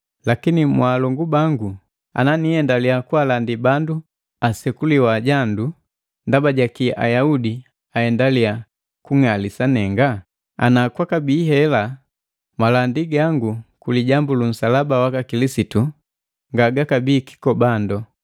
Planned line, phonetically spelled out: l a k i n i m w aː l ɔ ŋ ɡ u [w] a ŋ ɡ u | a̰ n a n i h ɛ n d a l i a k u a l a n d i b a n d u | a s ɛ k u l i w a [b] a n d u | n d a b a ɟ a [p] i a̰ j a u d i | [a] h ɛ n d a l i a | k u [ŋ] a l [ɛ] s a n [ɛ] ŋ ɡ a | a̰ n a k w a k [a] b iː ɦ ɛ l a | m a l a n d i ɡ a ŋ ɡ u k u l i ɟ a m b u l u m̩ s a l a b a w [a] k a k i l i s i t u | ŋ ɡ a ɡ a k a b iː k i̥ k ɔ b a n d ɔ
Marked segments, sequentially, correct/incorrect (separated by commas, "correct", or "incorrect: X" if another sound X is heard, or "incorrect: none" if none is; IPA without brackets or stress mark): incorrect: b, incorrect: ɟ, incorrect: k, correct, correct, incorrect: i, correct, correct, correct